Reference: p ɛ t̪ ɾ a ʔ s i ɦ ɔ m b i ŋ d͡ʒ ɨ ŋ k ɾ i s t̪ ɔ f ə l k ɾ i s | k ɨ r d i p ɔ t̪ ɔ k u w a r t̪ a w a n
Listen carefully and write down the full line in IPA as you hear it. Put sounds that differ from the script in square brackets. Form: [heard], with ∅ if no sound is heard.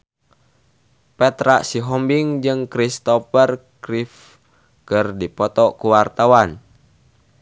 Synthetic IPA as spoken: p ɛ t̪ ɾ a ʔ s i ɦ ɔ m b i ŋ d͡ʒ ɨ ŋ k ɾ i s t̪ ɔ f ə [r] k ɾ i [f] | k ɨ r d i p ɔ t̪ ɔ k u w a r t̪ a w a n